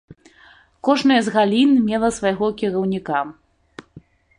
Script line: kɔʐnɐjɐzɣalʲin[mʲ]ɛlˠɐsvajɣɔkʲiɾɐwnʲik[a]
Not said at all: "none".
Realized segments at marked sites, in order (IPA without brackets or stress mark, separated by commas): mʲ, a